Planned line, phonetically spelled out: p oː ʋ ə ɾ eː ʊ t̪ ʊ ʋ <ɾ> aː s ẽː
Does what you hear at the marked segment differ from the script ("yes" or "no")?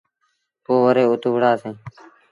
yes